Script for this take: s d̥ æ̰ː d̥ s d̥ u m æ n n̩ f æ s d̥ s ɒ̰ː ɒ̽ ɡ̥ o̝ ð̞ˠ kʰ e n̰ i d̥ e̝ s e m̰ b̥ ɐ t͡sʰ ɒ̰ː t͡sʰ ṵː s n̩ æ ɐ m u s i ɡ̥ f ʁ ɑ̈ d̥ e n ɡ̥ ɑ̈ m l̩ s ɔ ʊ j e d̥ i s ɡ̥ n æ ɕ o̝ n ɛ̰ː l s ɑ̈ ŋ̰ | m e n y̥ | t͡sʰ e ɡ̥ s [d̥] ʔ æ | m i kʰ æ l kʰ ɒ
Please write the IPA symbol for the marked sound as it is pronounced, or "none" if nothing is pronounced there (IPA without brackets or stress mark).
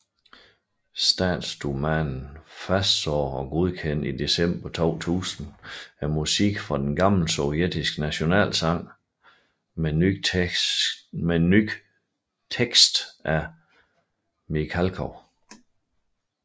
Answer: d̥